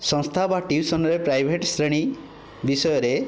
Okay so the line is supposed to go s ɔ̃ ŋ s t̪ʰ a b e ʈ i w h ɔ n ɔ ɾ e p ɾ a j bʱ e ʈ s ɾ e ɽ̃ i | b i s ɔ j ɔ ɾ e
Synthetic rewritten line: s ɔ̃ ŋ s t̪ʰ a b a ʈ i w s ɔ n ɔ ɾ e p ɾ a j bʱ e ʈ s ɾ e ɽ̃ i | b i s ɔ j ɔ ɾ e